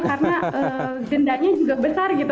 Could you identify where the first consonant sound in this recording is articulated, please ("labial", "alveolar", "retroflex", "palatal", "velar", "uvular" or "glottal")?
velar